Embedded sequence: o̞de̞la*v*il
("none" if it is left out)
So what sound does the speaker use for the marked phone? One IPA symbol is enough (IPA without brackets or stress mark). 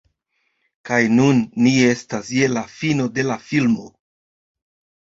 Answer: f